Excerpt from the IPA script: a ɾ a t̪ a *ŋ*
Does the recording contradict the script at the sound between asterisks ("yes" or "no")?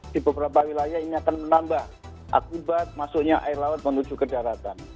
yes